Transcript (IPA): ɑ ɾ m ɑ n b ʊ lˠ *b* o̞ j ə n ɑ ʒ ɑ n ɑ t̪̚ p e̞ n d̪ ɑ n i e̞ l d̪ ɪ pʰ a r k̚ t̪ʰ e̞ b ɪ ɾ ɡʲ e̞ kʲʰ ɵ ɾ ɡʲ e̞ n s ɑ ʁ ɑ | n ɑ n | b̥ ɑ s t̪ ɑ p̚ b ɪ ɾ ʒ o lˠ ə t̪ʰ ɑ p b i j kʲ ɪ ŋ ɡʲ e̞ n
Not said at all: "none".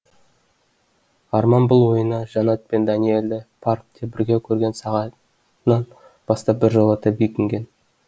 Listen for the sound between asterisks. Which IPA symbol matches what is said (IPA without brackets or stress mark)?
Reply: w